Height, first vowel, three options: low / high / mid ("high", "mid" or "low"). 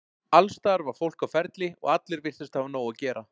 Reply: low